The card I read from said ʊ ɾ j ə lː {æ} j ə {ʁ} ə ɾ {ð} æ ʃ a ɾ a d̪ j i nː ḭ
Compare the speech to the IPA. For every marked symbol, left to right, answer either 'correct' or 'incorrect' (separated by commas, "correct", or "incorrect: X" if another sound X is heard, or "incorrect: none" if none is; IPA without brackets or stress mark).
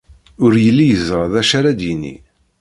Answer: incorrect: i, incorrect: z, correct